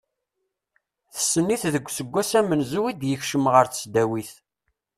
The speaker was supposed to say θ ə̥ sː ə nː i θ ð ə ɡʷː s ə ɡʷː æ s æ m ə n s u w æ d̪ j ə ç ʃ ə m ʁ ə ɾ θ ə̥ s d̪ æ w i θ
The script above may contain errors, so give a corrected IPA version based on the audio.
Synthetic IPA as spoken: θ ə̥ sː ə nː i θ ð ə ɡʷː s ə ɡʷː æ s æ m ə n z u w i d̪ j ə ç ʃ ə m ʁ ə ɾ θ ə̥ s d̪ æ w i θ